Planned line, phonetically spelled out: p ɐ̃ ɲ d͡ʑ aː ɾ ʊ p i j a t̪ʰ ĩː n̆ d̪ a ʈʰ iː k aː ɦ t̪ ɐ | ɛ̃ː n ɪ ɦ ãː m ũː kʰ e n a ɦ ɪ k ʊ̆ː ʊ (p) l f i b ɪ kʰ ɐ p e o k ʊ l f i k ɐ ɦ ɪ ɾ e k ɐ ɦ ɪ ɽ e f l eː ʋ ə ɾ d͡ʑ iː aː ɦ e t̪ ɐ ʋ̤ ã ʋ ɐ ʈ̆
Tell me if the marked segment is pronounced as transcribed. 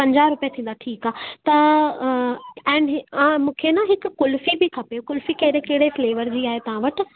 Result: no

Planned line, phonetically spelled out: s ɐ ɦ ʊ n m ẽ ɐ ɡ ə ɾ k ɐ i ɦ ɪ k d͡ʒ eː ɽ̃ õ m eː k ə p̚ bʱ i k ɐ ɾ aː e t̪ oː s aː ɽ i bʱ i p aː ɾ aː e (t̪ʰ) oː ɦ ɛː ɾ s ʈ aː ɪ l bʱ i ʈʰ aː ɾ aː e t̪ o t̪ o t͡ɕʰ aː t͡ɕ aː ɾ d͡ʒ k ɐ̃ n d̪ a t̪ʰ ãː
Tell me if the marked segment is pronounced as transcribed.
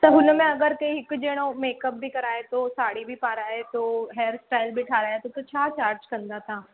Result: no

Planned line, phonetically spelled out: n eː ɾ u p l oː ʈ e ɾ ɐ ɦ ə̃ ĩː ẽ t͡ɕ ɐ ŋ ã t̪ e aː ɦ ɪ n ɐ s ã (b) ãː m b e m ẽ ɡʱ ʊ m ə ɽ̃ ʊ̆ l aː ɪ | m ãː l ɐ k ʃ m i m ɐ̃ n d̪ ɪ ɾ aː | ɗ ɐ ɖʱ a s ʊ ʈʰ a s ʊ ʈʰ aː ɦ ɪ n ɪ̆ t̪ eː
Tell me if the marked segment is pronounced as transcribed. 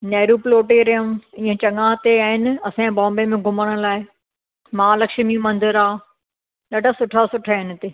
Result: yes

